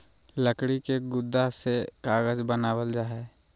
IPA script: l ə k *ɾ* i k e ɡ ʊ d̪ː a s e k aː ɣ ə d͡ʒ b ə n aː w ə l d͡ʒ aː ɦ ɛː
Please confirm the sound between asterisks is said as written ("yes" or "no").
no